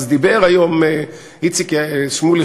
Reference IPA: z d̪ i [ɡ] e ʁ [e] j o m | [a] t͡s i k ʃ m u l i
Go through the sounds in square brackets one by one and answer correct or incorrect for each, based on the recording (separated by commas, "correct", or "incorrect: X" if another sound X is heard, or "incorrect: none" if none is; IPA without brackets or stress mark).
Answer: incorrect: b, incorrect: a, incorrect: i